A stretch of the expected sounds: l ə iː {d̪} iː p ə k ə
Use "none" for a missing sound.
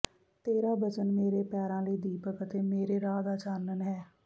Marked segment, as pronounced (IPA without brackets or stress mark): d̪